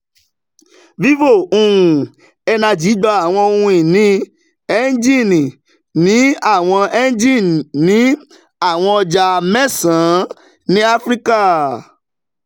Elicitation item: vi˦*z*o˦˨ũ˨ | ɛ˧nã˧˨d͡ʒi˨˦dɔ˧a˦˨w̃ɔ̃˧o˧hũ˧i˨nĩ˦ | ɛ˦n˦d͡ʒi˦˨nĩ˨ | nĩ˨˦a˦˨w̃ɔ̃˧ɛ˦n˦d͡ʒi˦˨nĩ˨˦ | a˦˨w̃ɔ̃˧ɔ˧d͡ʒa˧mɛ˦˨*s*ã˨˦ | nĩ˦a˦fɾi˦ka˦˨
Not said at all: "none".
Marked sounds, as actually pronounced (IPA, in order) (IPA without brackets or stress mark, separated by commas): v, s